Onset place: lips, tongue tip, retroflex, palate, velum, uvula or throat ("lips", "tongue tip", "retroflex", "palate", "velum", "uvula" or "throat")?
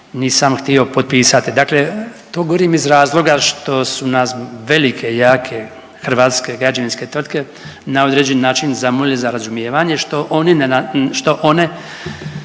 tongue tip